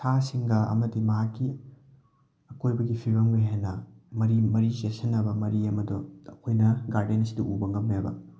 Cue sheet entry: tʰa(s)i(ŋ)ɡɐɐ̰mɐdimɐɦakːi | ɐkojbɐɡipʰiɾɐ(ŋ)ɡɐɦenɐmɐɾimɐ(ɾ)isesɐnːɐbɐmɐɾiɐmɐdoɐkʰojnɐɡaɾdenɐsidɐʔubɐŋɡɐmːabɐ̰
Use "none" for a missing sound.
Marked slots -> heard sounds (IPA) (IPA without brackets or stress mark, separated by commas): s, ŋ, m, ɾ